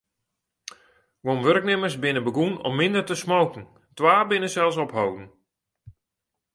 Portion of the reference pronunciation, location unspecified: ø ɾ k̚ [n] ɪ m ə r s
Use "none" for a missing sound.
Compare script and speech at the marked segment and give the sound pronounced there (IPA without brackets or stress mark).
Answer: n